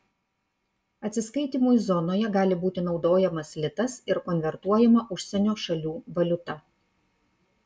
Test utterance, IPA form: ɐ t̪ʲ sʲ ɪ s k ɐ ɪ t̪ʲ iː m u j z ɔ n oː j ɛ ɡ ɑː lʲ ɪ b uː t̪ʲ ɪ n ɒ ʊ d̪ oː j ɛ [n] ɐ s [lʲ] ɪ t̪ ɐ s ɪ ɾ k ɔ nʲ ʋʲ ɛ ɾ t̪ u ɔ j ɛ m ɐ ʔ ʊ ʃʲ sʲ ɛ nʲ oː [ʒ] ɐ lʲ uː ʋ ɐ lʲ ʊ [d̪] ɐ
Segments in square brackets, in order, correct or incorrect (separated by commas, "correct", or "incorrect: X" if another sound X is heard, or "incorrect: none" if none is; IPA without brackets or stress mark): incorrect: m, correct, incorrect: ʃ, incorrect: t̪